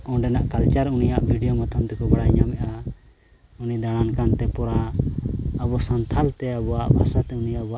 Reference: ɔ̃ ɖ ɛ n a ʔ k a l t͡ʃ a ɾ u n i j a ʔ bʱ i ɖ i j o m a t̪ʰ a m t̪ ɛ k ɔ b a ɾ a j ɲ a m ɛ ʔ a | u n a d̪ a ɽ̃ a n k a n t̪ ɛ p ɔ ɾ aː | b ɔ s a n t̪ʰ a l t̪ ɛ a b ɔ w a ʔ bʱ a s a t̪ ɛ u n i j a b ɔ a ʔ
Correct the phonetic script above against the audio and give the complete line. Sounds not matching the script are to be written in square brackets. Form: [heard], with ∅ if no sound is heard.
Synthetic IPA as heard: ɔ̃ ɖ ɛ n a ʔ k a l t͡ʃ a ɾ u n i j a ʔ bʱ i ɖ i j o m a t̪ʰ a m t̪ ɛ k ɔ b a [ɽ] a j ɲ a m ɛ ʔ a | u n [i] d̪ a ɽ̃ a n k a n t̪ ɛ p ɔ ɾ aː | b ɔ s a n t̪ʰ a l t̪ ɛ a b ɔ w a ʔ bʱ a s a t̪ ɛ u n i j a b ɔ a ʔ